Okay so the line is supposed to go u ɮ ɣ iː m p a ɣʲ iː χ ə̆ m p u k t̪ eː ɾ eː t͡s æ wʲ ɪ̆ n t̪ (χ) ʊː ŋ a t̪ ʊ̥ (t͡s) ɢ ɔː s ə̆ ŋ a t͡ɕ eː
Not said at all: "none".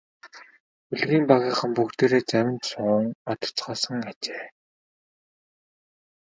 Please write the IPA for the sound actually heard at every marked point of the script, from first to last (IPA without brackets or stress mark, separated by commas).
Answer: s, t͡s